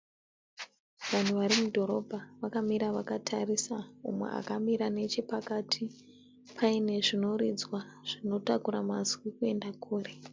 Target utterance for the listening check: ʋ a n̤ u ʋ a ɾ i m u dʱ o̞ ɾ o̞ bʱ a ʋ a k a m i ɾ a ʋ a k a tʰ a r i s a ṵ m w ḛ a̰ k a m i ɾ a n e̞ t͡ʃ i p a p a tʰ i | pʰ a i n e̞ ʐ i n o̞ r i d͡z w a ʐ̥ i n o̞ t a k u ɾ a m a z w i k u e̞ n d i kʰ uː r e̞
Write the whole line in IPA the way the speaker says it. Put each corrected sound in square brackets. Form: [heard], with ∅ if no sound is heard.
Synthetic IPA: ʋ a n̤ u ʋ a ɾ i m u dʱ o̞ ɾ o̞ bʱ a ʋ a k a m i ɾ a ʋ a k a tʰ a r i s a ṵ m w ḛ a̰ k a m i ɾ a n e̞ t͡ʃ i p a [k] a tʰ i | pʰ a i n e̞ ʐ i n o̞ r i d͡z w a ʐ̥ i n o̞ t a k u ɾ a m a z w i k u e̞ n d [a] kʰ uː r e̞

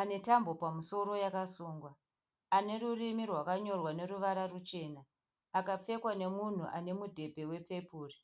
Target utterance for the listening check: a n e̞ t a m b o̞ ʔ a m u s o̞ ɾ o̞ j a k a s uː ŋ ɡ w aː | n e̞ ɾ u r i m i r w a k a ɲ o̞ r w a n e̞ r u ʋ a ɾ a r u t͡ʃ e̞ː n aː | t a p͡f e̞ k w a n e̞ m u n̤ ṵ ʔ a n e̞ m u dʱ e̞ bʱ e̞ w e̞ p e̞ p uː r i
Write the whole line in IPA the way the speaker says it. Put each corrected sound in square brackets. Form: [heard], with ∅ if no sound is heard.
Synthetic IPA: a n e̞ t a m b o̞ [p] a m u s o̞ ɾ o̞ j a k a s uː ŋ ɡ w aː | n e̞ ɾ u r i m i r w a k a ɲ o̞ r w a n e̞ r u ʋ a ɾ a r u t͡ʃ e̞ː n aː | [k] a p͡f e̞ k w a n e̞ m u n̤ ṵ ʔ a n e̞ m u dʱ e̞ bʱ e̞ w e̞ p e̞ p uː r i

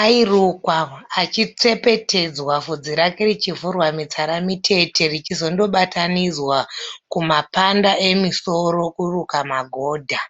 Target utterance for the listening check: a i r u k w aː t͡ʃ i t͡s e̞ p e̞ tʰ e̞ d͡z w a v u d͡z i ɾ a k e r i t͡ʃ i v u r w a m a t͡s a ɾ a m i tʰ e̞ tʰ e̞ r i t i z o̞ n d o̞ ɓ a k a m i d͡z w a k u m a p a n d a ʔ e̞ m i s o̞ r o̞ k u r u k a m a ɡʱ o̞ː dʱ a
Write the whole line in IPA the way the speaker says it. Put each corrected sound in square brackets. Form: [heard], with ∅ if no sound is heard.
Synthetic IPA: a i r u k w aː t͡ʃ i t͡s e̞ p e̞ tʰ e̞ d͡z w a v u d͡z i ɾ a k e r i t͡ʃ i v u r w a m [i] t͡s a ɾ a m i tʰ e̞ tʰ e̞ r i [t͡ʃ] i z o̞ n d o̞ ɓ a [t] a [n] i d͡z w a k u m a p a n d a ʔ e̞ m i s o̞ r o̞ k u r u k a m a ɡʱ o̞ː dʱ a

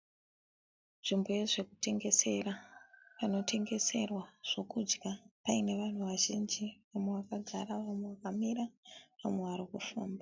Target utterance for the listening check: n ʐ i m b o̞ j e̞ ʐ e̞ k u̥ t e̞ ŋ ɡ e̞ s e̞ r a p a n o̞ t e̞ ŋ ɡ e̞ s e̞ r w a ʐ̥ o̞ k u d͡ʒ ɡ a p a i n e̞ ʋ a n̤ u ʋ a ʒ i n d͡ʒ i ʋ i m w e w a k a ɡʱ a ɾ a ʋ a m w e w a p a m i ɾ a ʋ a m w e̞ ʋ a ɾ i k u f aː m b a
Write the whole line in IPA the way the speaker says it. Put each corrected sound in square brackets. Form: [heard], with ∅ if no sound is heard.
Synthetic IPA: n ʐ i m b o̞ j e̞ ʐ e̞ k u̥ t e̞ ŋ ɡ e̞ s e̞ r a p a n o̞ t e̞ ŋ ɡ e̞ s e̞ r w a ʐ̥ o̞ k u d͡ʒ ɡ a p a i n e̞ ʋ a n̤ u ʋ a ʒ i n d͡ʒ i ʋ [a] m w e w a k a ɡʱ a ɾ a ʋ a m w e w a [k] a m i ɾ a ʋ a m w e̞ ʋ a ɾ i k u f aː m b a

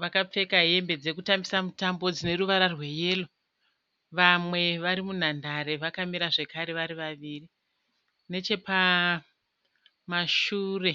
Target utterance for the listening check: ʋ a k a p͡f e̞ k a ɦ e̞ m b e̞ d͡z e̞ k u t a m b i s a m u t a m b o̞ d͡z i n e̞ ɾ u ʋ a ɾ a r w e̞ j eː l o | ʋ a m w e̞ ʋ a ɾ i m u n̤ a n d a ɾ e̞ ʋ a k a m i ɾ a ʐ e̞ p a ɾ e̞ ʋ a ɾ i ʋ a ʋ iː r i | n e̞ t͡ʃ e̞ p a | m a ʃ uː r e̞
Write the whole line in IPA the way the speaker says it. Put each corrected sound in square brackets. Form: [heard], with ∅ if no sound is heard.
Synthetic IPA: ʋ a k a p͡f e̞ k a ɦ e̞ m b e̞ d͡z e̞ k u t a m b i s a m u t a m b o̞ d͡z i n e̞ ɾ u ʋ a ɾ a r w e̞ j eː l o | ʋ a m w e̞ ʋ a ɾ i m u n̤ a n d a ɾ e̞ ʋ a k a m i ɾ a ʐ e̞ [k] a ɾ e̞ ʋ a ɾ i ʋ a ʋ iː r i | n e̞ t͡ʃ e̞ p a | m a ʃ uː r e̞

